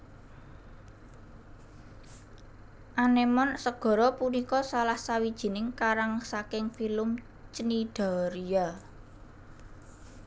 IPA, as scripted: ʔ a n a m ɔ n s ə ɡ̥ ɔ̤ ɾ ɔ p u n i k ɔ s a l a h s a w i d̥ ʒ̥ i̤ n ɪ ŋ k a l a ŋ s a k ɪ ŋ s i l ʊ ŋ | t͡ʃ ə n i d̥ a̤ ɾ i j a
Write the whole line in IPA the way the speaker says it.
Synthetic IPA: ʔ a n e m ɔ n s ə ɡ̥ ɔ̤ ɾ ɔ p u n i k ɔ s a l a h s a w i d̥ ʒ̥ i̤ n ɪ ŋ k a ɾ a ŋ s a k ɪ ŋ f i l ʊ m | t͡ʃ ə n i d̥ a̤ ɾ i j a